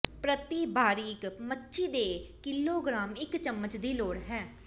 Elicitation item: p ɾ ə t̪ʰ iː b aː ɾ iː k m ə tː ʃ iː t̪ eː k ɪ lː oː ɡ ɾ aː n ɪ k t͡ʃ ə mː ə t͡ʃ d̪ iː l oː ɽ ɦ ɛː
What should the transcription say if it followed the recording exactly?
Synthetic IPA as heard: p ɾ ə t̪ iː b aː ɾ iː k m ə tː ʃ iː d̪ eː k ɪ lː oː ɡ ɾ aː m ɪ k t͡ʃ ə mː ə t͡ʃ d̪ iː l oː ɽ ɦ ɛː